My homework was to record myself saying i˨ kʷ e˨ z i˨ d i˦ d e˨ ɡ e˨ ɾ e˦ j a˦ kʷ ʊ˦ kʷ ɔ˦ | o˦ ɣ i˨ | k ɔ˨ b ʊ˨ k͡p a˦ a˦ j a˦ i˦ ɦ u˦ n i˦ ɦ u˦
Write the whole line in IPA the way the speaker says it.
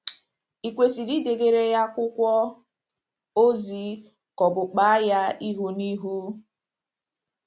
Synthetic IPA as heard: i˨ kʷ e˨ s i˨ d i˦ d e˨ ɡ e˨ ɾ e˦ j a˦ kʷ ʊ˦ kʷ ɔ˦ | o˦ z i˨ | k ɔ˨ b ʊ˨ k͡p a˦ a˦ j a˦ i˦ ɦ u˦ n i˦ ɦ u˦